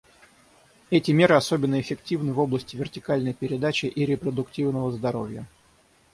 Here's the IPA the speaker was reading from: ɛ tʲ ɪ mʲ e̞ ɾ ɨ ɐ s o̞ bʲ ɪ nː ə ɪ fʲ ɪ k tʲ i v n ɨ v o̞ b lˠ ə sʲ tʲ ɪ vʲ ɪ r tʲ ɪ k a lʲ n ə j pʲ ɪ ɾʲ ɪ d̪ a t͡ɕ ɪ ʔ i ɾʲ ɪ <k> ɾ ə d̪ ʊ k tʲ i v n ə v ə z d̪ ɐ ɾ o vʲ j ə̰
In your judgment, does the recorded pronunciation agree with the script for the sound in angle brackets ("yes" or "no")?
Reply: no